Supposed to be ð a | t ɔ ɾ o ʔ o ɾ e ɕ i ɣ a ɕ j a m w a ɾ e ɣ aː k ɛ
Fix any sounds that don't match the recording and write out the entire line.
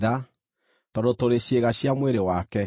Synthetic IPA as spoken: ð a | t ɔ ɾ o t o ɾ e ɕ e ɣ a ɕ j a m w e ɾ e w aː k ɛ